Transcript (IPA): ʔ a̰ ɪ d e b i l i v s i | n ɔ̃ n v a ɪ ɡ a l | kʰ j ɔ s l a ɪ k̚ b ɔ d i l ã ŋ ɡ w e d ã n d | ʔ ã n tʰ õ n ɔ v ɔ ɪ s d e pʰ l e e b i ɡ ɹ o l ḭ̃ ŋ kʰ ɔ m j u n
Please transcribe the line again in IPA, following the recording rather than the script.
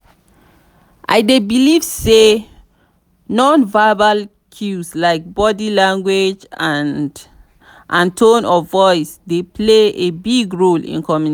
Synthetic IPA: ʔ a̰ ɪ d e b i l i v s e | n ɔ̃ n v a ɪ b a l | kʰ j u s l a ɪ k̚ b ɔ d i l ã ŋ ɡ w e d͡ʒ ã n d | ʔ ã n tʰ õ n ɔ v ɔ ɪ s d e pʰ l e e b i ɡ ɹ o l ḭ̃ n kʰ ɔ m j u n